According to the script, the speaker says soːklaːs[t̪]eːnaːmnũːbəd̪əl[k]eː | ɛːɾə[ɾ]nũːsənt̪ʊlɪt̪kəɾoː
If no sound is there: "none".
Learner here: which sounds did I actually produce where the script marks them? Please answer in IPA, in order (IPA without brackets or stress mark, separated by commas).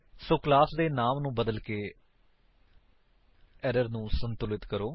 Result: d̪, k, ɾ